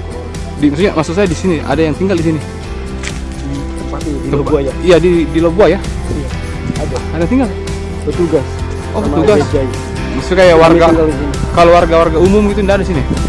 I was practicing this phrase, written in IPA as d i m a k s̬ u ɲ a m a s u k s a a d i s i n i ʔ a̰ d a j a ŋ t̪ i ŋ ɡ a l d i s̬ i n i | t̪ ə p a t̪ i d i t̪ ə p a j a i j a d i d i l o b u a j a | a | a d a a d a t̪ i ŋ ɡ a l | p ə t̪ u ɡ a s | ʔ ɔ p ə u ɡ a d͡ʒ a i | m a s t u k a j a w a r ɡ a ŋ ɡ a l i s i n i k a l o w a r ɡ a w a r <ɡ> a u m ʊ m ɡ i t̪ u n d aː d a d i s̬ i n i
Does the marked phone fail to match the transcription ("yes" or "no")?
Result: no